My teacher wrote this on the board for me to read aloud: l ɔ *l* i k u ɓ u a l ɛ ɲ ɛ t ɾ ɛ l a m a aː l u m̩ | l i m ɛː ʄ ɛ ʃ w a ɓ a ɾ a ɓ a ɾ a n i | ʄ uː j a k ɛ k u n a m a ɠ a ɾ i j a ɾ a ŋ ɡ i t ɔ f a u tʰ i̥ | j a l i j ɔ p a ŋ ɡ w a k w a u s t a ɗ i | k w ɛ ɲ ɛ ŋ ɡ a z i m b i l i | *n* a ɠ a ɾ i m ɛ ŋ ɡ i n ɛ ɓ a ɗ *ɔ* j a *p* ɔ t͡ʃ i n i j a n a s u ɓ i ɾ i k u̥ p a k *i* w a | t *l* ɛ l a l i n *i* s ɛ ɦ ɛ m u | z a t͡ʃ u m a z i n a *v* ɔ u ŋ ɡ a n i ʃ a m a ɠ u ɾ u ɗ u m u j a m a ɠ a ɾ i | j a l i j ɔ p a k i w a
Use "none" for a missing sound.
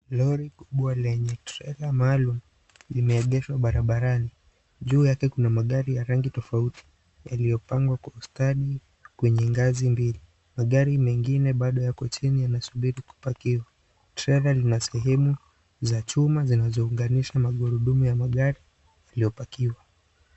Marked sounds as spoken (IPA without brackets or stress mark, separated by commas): ɾ, m, ɔ, k, i, ɾ, a, z